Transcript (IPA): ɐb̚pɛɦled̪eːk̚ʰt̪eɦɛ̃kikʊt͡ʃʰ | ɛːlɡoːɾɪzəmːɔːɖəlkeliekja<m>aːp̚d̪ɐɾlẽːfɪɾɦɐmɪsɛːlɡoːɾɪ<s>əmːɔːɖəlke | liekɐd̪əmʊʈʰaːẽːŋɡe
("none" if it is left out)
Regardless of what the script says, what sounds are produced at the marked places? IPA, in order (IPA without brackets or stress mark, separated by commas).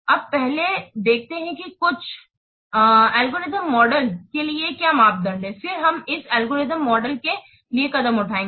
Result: m, z